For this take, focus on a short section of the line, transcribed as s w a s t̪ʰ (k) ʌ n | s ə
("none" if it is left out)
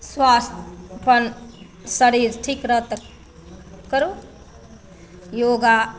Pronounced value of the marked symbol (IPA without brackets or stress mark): p